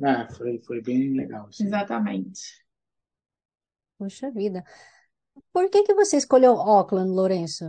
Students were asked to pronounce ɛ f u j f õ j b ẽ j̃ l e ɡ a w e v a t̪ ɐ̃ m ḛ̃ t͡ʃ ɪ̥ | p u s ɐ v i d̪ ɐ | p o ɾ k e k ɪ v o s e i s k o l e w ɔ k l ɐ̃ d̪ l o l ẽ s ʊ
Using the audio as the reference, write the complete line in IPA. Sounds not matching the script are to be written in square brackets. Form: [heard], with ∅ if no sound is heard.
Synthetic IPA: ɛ f [o] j f [o] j b ẽ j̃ l e ɡ a w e [z] a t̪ [ɐ] m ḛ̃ t͡ʃ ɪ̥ | p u [ʃ] ɐ v i d̪ ɐ | p o ɾ k e k ɪ v o s e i s k o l e w ɔ k l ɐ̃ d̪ l o [ɾ] ẽ s ʊ